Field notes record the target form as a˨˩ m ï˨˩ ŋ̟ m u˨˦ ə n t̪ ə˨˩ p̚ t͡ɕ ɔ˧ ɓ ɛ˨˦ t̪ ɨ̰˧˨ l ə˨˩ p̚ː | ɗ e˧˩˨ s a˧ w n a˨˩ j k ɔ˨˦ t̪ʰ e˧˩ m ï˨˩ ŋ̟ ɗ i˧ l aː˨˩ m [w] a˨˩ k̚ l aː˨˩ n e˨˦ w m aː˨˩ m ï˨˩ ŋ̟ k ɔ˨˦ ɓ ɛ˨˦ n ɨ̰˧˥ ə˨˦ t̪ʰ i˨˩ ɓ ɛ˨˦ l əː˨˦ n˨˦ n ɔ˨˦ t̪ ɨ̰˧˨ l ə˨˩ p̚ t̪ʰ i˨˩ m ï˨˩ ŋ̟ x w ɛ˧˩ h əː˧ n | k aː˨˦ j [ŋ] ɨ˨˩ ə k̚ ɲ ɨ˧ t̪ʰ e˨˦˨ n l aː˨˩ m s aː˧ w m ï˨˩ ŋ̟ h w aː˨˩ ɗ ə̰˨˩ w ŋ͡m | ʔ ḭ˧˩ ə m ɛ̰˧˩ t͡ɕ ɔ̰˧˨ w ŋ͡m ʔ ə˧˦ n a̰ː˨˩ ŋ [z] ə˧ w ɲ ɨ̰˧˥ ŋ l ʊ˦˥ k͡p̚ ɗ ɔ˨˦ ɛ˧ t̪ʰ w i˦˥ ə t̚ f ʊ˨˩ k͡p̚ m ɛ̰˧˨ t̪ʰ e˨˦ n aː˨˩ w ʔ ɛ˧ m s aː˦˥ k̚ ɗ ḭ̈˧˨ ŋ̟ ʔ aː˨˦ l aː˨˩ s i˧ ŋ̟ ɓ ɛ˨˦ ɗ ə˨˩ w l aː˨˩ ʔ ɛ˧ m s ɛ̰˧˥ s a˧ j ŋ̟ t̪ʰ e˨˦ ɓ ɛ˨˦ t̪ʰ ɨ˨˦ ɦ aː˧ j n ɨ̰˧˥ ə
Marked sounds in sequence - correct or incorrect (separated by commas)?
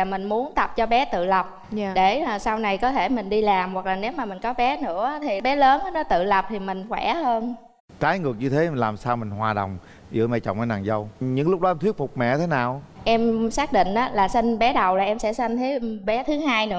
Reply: correct, correct, correct